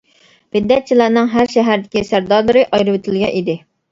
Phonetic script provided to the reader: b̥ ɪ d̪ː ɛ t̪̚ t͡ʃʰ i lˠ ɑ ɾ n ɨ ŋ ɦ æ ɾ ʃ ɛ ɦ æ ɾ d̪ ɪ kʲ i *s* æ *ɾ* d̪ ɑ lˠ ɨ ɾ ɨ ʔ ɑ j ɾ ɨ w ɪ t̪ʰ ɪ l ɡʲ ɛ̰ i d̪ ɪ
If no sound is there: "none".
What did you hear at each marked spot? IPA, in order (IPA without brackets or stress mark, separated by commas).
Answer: s, ɾ